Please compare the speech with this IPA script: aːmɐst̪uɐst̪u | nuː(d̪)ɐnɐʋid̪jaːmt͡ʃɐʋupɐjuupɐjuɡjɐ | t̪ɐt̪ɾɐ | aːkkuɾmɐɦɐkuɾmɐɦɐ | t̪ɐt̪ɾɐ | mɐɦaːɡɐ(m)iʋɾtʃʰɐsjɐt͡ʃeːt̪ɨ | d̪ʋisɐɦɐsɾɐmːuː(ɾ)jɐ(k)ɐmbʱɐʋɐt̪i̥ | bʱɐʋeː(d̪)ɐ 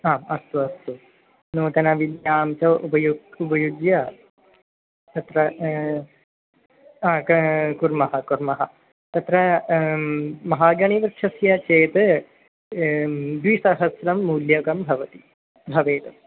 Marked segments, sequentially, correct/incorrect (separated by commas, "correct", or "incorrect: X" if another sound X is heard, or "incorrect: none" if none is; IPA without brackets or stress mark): incorrect: t̪, incorrect: ɳ, incorrect: l, correct, incorrect: t̪